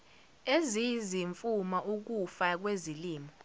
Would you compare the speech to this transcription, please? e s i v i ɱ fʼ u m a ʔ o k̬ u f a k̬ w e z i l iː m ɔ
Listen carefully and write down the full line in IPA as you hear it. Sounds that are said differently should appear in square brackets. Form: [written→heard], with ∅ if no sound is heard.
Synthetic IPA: e [s→z] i [v→z] i ɱ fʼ u m a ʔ [o→u] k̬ u f a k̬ w e z i l iː m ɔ